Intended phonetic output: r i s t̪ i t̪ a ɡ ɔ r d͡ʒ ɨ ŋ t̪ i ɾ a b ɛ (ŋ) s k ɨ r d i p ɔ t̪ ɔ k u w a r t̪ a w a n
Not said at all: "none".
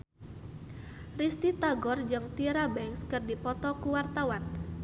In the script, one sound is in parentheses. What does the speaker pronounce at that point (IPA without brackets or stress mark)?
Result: ŋ